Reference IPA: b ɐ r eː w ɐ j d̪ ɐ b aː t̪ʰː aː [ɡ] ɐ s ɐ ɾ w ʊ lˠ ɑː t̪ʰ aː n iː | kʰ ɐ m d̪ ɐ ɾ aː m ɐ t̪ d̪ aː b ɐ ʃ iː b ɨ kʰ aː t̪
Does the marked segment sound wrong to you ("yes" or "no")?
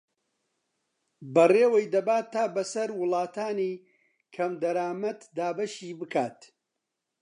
yes